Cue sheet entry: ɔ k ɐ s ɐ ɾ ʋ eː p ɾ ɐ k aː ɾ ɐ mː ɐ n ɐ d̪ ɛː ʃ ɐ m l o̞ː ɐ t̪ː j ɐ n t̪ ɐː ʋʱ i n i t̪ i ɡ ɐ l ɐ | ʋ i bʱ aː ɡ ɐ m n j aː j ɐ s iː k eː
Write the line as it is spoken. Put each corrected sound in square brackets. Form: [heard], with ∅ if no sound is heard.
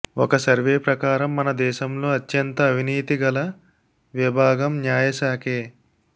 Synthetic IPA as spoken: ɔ k ɐ s ɐ ɾ ʋ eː p ɾ ɐ k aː ɾ ɐ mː ɐ n ɐ d̪ ɛː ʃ ɐ m l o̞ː ɐ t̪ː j ɐ n t̪ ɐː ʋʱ i n [iː] t̪ i ɡ ɐ l ɐ | ʋ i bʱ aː ɡ ɐ m n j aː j ɐ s [aː] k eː